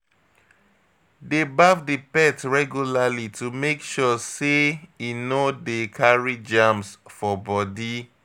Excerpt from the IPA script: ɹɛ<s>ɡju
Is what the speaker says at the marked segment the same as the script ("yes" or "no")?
no